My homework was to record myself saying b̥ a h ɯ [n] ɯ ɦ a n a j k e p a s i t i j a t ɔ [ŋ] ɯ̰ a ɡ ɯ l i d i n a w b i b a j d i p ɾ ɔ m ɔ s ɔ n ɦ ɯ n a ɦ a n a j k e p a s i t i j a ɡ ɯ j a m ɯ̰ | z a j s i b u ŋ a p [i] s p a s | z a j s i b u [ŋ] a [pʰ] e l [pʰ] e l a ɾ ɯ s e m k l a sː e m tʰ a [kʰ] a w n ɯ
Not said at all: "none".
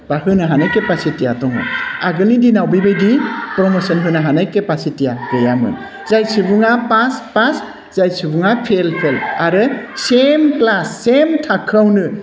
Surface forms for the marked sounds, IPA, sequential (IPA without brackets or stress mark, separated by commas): n, ŋ, a, ŋ, pʰ, pʰ, kʰ